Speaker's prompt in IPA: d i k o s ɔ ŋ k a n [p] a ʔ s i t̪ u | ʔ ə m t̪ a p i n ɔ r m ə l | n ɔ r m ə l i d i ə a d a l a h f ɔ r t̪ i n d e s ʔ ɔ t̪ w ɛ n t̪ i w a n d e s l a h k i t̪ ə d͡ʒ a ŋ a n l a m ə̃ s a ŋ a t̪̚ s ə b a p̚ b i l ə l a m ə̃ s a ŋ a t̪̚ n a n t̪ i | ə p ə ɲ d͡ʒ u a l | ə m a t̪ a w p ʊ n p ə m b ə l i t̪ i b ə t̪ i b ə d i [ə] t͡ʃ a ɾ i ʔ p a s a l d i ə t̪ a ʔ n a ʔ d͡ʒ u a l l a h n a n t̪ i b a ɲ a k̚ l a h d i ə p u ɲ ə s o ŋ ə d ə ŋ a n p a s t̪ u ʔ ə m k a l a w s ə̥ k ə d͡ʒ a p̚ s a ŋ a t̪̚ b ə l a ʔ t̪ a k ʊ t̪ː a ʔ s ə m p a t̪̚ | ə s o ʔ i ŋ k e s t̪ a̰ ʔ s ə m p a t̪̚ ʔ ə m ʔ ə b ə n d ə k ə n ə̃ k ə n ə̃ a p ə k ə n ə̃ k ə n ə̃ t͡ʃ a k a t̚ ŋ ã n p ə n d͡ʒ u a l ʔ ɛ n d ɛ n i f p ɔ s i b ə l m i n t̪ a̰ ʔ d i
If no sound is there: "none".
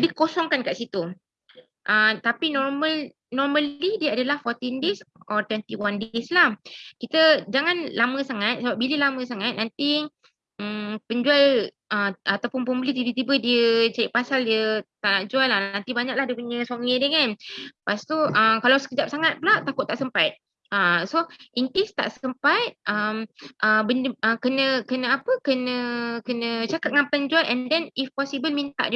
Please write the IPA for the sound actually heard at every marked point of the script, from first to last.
k, ə

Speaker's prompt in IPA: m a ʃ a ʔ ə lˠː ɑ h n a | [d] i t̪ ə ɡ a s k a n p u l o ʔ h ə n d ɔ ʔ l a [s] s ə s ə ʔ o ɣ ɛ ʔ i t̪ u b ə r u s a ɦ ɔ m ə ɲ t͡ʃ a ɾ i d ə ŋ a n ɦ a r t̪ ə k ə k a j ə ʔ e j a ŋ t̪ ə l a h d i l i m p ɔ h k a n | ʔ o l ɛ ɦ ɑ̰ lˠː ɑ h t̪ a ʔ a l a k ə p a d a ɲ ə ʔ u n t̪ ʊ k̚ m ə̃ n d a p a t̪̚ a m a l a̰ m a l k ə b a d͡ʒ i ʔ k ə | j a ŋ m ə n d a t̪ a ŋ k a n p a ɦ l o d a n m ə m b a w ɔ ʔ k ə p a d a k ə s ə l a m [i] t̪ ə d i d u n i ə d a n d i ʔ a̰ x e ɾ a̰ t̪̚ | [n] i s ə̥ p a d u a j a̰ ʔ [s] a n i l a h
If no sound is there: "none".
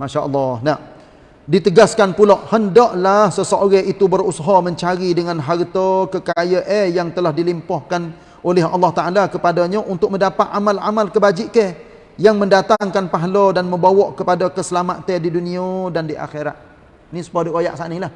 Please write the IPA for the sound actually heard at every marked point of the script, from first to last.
d, h, a, n, s

